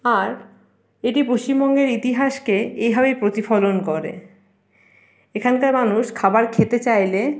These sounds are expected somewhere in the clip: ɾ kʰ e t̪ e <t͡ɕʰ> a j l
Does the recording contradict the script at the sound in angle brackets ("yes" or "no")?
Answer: yes